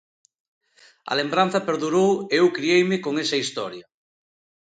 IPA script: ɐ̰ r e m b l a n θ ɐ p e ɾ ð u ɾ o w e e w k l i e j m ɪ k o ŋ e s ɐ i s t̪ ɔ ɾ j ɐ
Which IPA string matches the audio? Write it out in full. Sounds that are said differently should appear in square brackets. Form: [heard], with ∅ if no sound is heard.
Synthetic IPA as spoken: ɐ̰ [l] e m b [ɾ] a n θ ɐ p e ɾ ð u ɾ o w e e w k [ɾ] i e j m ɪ k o ŋ e s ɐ i s t̪ ɔ ɾ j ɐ